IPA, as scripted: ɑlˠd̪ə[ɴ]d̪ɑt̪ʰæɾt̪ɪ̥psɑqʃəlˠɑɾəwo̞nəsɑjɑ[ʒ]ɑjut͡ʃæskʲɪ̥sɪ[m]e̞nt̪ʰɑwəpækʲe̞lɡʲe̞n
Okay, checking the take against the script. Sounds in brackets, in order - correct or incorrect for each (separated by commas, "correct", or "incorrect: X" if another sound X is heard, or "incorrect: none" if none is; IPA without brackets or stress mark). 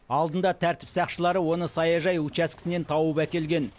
incorrect: n, correct, incorrect: n